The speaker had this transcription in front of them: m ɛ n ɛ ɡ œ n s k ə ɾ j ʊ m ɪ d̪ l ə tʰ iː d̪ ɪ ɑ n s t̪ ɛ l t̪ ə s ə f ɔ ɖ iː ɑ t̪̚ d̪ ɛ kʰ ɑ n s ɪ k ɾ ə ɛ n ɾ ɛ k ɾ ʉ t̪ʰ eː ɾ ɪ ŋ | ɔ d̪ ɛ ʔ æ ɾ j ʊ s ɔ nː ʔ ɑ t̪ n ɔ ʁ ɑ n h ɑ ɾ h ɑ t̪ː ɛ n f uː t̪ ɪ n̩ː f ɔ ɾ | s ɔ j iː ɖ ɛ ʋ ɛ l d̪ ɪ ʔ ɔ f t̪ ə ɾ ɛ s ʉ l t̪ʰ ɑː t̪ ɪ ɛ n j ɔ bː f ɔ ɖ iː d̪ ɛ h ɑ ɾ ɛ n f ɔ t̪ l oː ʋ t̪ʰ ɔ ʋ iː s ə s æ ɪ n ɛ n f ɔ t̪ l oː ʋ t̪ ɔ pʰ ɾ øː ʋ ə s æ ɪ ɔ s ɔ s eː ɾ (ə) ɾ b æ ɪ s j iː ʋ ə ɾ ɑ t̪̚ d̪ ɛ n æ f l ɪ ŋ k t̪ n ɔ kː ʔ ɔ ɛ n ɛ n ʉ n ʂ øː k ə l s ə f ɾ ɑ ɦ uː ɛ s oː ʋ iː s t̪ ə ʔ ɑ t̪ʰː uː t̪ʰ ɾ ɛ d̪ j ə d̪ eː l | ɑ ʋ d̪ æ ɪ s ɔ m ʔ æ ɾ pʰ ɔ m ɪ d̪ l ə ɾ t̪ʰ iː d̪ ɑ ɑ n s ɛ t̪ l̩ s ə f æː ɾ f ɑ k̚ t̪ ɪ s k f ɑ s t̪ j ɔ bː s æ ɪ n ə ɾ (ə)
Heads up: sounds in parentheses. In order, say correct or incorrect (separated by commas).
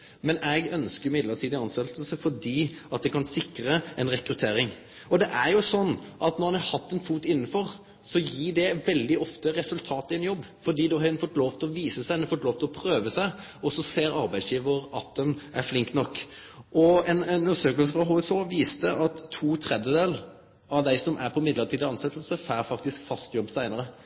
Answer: incorrect, correct